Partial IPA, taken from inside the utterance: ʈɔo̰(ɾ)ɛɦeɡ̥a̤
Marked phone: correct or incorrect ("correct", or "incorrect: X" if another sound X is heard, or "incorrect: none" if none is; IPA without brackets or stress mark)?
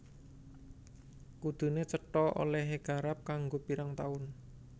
incorrect: l